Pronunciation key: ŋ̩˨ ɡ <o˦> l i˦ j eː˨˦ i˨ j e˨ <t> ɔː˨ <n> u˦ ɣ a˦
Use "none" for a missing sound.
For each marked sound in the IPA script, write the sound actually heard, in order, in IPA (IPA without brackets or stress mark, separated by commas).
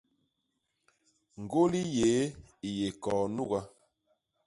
o˦, k, n